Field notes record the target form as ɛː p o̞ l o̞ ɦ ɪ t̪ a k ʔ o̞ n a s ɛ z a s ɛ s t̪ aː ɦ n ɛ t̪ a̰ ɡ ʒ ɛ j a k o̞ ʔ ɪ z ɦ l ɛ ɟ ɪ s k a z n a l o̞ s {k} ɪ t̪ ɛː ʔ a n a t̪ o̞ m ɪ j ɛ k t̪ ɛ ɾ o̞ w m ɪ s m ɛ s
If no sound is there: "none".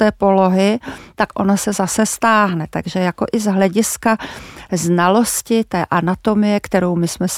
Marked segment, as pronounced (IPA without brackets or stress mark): c